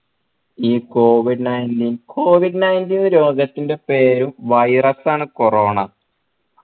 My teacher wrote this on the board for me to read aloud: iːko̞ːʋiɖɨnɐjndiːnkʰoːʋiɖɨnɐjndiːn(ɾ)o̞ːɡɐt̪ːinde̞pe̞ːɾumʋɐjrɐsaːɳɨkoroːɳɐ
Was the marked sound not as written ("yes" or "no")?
no